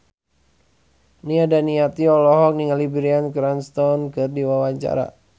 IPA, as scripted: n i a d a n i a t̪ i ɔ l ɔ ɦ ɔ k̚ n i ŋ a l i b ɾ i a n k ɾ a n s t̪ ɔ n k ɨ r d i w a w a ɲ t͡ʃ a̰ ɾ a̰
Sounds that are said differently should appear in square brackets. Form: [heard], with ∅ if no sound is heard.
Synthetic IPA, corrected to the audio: n i a d a n i a t̪ i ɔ l ɔ ɦ ɔ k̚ n i ŋ a l i b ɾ i a n k ɾ a n s t̪ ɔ n k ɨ r d i w a w a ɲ t͡ʃ a̰ ɾ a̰